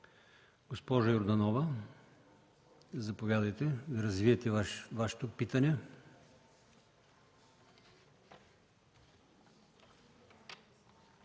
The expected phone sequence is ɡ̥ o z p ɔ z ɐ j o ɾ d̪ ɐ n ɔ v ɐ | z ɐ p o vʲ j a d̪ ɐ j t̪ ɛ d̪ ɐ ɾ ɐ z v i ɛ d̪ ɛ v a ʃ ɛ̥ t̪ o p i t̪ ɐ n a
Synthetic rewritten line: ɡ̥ o s p ɔ ʒ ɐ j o ɾ d̪ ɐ n ɔ v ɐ | z ɐ p o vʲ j a d̪ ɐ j t̪ ɛ d̪ ɐ ɾ ɐ z v i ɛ t̪ ɛ v a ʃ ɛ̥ t̪ o p i t̪ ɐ n ɛ